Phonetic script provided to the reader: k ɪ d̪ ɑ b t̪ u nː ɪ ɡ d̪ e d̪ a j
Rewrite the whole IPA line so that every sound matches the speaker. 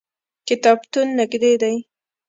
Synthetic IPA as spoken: k ɪ t̪ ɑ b t̪ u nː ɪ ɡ d̪ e d̪ a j

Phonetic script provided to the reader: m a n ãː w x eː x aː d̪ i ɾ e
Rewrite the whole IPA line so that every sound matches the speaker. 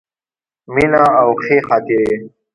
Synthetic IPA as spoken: m i n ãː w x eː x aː t̪ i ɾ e

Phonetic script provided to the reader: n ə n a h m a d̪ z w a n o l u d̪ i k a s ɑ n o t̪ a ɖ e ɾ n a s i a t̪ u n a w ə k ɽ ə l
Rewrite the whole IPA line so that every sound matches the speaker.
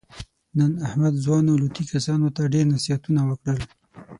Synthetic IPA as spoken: n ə n a h m a d̪ z w ɑ n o l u t̪ i k a s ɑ n o t̪ a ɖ e ɾ n a s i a t̪ u n a w ə k ɽ ə l

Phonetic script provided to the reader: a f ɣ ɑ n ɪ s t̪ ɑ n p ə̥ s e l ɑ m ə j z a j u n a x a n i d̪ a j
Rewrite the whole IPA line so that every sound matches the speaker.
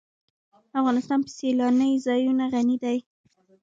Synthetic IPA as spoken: a f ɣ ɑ n ɪ s t̪ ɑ n p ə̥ s e l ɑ n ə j z ɑ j u n a ɣ a n i d̪ a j

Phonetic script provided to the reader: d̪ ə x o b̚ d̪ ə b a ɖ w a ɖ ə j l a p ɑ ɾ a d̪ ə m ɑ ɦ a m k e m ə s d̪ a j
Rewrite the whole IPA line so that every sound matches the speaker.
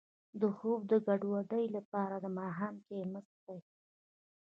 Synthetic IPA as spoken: d̪ ə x o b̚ d̪ ə ɡ a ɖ w a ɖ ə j l a p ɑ ɾ a d̪ ə m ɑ ɦ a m k e m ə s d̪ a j

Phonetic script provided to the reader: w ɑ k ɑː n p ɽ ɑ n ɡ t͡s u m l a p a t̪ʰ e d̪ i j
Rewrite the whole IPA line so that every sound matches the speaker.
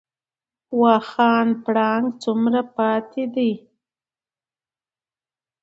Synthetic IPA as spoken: w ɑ x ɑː n p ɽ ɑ ŋ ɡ t͡s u m ɾ a p ɑ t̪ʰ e d̪ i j

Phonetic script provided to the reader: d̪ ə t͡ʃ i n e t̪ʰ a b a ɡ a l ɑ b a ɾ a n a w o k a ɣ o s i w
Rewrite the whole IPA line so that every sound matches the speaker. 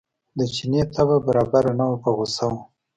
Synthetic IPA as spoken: d̪ ə t͡ʃ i n e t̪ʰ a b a b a ɾ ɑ b a ɾ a n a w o p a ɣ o s a w

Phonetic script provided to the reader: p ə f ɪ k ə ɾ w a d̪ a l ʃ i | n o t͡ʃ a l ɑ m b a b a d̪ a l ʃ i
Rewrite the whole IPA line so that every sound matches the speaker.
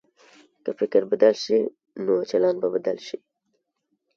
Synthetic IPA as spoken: k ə f ɪ k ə ɾ b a d̪ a l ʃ i | n o t͡ʃ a l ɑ n b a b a d̪ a l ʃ i

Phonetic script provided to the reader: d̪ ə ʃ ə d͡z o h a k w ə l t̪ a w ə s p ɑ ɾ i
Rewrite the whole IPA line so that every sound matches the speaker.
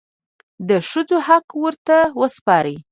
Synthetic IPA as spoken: d̪ ə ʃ ə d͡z o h a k w ə ɾ t̪ a w ə s p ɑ ɾ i

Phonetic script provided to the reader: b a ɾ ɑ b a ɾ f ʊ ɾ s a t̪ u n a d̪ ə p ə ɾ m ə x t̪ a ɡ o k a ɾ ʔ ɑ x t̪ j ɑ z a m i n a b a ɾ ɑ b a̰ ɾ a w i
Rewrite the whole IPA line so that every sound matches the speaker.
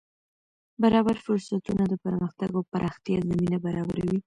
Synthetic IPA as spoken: b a ɾ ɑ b a ɾ f ʊ ɾ s a t̪ u n a d̪ ə p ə ɾ m ə x t̪ a ɡ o p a ɾ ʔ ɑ x t̪ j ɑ z a m i n a b a ɾ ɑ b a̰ ɾ a w i

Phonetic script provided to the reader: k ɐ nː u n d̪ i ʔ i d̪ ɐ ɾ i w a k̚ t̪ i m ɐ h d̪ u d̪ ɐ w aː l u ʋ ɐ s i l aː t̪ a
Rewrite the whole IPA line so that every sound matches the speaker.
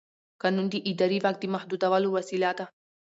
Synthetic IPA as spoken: k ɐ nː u n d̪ i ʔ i d̪ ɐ ɾ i ʋ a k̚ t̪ i m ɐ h d̪ u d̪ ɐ ʋ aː l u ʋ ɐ s i l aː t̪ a

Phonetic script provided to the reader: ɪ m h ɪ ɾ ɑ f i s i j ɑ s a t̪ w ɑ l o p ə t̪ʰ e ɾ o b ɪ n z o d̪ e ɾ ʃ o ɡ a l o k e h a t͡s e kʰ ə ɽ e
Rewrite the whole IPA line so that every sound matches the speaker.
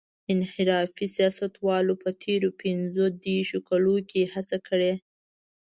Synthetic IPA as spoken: ɪ n h ɪ ɾ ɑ f i s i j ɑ s a t̪ w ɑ l o p ə t̪ʰ e ɾ o p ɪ n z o d̪ e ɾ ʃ o k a l o k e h a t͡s a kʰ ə ɽ e

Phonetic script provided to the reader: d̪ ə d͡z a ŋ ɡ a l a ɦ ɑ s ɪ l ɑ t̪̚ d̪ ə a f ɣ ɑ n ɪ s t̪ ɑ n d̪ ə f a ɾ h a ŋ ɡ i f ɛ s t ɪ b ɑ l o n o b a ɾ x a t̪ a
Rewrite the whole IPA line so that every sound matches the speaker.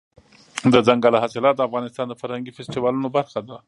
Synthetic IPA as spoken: d̪ ə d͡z a ŋ ɡ a l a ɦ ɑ s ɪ l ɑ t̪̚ d̪ ə a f ɣ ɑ n ɪ s t̪ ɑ n d̪ ə f a ɾ h a ŋ ɡ i f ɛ s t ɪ w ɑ l u n o b a ɾ x a d̪ a

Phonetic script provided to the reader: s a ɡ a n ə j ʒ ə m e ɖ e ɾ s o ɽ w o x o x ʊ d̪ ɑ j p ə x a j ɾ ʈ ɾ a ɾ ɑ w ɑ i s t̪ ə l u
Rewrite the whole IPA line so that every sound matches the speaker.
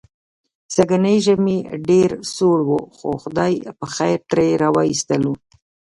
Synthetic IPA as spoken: s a ɡ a n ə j ʒ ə m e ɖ e ɾ s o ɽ w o x o x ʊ d̪ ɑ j p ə x a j ɾ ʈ ɾ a ɾ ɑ w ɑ i s t̪ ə l u

